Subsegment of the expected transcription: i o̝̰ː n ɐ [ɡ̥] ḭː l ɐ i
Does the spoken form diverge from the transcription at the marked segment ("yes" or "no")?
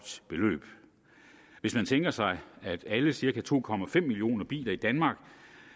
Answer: yes